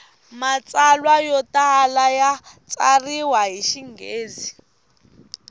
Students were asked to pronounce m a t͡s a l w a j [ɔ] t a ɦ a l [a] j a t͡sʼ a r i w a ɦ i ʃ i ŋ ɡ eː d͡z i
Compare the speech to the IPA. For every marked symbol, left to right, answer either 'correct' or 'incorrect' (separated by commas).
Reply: correct, correct